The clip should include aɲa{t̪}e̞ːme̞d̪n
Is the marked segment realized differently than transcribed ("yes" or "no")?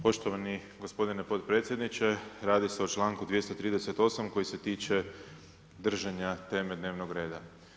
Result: no